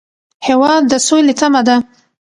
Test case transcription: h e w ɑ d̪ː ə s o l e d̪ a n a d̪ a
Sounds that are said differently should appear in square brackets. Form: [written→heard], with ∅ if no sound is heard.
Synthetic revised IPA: h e w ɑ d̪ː ə s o l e [d̪→t̪] a [n→m] a d̪ a